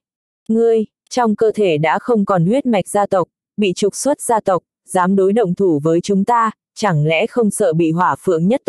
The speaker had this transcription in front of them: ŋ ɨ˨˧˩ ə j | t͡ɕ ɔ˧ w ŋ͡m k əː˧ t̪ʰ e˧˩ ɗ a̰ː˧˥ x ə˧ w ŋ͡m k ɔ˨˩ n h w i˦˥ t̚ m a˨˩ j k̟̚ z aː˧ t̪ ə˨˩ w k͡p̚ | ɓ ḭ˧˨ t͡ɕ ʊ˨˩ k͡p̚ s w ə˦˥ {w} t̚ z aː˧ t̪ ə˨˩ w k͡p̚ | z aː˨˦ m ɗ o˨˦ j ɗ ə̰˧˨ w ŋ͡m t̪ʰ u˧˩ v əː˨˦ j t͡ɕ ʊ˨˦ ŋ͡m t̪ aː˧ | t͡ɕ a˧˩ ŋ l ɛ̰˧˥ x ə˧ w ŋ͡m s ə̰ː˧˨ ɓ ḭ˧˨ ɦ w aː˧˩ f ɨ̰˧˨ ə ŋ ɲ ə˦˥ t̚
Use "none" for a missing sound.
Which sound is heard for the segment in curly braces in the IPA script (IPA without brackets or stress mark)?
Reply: none